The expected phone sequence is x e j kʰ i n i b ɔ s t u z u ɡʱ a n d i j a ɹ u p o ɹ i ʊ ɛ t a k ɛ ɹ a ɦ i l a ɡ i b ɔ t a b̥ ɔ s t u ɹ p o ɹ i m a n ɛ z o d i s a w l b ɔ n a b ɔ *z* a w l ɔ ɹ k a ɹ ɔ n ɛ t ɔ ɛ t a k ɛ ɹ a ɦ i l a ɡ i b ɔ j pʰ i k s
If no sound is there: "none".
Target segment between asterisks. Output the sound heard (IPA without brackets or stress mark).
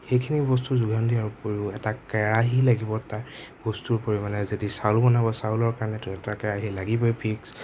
s